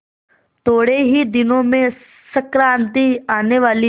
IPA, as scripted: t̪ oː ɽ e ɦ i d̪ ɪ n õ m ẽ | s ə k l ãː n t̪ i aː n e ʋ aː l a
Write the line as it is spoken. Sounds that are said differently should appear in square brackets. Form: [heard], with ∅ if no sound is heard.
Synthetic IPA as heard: t̪ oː ɽ e ɦ i d̪ ɪ n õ m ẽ | s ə k [ɾ] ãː n t̪ i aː n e ʋ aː l [i]